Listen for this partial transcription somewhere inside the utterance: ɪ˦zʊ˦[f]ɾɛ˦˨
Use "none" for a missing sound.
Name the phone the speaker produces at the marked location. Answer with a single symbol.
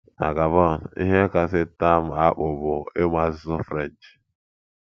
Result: f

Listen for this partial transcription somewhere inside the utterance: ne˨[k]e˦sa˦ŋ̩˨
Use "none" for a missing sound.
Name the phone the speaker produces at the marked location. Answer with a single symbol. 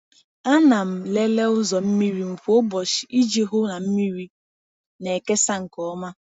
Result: k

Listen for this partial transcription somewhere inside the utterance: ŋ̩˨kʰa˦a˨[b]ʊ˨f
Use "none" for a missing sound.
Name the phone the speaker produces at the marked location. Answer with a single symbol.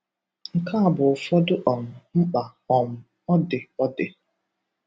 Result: b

